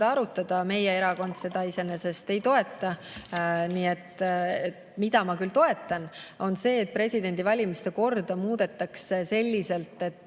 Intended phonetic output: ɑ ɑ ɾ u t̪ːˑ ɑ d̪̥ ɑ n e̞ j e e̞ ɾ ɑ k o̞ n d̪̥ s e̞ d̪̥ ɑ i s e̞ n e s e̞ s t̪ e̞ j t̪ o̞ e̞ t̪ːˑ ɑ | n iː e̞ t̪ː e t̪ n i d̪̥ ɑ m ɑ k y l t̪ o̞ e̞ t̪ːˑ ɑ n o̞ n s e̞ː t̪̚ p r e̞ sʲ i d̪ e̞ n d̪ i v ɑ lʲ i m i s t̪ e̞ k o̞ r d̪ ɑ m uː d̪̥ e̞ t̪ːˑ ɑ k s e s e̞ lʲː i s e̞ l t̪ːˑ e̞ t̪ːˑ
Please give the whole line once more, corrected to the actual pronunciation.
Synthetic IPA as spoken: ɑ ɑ ɾ u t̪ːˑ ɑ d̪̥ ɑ m e̞ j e e̞ ɾ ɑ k o̞ n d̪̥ s e̞ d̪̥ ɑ i s e̞ n e s e̞ s t̪ e̞ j t̪ o̞ e̞ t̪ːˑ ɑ | n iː e̞ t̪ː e t̪ m i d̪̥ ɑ m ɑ k y l t̪ o̞ e̞ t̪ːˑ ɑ n o̞ n s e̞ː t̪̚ p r e̞ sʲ i d̪ e̞ n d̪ i v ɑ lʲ i m i s t̪ e̞ k o̞ r d̪ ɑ m uː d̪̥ e̞ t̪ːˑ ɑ k s e s e̞ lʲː i s e̞ l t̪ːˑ e̞ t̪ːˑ